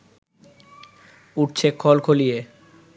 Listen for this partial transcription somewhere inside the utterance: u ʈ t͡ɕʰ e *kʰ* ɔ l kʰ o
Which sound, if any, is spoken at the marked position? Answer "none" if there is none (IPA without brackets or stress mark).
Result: kʰ